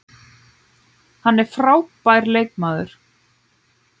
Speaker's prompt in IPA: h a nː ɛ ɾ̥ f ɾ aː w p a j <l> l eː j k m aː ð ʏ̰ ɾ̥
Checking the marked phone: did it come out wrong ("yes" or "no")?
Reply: yes